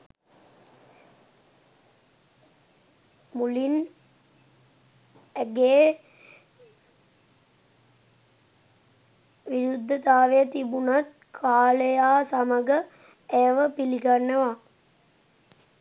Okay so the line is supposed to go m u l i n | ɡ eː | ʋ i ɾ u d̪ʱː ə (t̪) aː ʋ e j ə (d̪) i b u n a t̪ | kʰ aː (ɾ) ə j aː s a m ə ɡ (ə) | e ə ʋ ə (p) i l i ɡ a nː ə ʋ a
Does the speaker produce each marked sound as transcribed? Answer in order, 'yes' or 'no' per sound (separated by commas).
yes, no, no, yes, yes